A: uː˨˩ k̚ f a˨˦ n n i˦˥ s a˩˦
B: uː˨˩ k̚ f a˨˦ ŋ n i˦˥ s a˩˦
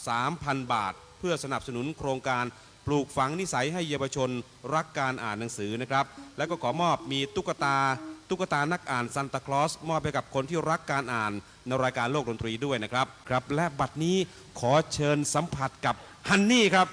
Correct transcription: B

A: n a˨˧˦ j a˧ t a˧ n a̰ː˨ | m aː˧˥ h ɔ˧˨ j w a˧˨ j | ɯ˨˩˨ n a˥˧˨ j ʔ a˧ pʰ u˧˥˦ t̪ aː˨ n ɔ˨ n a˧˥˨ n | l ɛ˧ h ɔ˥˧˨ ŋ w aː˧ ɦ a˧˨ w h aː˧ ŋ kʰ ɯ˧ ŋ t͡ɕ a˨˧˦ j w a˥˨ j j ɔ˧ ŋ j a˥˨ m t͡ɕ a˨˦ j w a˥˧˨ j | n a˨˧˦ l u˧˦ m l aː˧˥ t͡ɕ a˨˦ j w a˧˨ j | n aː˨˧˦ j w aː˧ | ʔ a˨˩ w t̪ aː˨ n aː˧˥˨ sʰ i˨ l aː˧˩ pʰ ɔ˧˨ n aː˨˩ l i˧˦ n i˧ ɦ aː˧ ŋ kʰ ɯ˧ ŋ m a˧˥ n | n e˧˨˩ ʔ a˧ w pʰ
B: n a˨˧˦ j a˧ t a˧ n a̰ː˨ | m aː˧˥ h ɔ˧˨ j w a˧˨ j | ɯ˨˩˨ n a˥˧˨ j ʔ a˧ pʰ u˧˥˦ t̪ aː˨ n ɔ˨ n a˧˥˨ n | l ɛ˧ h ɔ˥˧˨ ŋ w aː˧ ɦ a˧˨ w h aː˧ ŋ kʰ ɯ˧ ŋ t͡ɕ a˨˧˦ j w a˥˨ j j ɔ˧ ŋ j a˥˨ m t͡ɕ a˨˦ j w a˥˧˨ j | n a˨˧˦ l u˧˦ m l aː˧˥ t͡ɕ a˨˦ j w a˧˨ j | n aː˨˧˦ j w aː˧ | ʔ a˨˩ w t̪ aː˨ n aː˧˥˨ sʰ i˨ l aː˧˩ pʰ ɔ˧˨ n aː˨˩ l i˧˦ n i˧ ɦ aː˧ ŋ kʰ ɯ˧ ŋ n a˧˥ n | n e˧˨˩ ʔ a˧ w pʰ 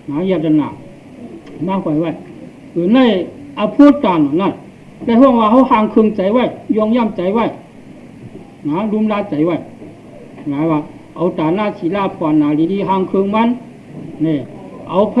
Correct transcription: A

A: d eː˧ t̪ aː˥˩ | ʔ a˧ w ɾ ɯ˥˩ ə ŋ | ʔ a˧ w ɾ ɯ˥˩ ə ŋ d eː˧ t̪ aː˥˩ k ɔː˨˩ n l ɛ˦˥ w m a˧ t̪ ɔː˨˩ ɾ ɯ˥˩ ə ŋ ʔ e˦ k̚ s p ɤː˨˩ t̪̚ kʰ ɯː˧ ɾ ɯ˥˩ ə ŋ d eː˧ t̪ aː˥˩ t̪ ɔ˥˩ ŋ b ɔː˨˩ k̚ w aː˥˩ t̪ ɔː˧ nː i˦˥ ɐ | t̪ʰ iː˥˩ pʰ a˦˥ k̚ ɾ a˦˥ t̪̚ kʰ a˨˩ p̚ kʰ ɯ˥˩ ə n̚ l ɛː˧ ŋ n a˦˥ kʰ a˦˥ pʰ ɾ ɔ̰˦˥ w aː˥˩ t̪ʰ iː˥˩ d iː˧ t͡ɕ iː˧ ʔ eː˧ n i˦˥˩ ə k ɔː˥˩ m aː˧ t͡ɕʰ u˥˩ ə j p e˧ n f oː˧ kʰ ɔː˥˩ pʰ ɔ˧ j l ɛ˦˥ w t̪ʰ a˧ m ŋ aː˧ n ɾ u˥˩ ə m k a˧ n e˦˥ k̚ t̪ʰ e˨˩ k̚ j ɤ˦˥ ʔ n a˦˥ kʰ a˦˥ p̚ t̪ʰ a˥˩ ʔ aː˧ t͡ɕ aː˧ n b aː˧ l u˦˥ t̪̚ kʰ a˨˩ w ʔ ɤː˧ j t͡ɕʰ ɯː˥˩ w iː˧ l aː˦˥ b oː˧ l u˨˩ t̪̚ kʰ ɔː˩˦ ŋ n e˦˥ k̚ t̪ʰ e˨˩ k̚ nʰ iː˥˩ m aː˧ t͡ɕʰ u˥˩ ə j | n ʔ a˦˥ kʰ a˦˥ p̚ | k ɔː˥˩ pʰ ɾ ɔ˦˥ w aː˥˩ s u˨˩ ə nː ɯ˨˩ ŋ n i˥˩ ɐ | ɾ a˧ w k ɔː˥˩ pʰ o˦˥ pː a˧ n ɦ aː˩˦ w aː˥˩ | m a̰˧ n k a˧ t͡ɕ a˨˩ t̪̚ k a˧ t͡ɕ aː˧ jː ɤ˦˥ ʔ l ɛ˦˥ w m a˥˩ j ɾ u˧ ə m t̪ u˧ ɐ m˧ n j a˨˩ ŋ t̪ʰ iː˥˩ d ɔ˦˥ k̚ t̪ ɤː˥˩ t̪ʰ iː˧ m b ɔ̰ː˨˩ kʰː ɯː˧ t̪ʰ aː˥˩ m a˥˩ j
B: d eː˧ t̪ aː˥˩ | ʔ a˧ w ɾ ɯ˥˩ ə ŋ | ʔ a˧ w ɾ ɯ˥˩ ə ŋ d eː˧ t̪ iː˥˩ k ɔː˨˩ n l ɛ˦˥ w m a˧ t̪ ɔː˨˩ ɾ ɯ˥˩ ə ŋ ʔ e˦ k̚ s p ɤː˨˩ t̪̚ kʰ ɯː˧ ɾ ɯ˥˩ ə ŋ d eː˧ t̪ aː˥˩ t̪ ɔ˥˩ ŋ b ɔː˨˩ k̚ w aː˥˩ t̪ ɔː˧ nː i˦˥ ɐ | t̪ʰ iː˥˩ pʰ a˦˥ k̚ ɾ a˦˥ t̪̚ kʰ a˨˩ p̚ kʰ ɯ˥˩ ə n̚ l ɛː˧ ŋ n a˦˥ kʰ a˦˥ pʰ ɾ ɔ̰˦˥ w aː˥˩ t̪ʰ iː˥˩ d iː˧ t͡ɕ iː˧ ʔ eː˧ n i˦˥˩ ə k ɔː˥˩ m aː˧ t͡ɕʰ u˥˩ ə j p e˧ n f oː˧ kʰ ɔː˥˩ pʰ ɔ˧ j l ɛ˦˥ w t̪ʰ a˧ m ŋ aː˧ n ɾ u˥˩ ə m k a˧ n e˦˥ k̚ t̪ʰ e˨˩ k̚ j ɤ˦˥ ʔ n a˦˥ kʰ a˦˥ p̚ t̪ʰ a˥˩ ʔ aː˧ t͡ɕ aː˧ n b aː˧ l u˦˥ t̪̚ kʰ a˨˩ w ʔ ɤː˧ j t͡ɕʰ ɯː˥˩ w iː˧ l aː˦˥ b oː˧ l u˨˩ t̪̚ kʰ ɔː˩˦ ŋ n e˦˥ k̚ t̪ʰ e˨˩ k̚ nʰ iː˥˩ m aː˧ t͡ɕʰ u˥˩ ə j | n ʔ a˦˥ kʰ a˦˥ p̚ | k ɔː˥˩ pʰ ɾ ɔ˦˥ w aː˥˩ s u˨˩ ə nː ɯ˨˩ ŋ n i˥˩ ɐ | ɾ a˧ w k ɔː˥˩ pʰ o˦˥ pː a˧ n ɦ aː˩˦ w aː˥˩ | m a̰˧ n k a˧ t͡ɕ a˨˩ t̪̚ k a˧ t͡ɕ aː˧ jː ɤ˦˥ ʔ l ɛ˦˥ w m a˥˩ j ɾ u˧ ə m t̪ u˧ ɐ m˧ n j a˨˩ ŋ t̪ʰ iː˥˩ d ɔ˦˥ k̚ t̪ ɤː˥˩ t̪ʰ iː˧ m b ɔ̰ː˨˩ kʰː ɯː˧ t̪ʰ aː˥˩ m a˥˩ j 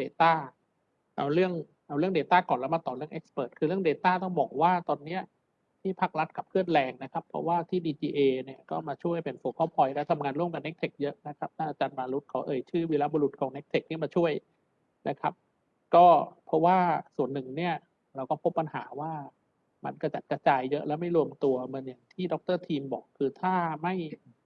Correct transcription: A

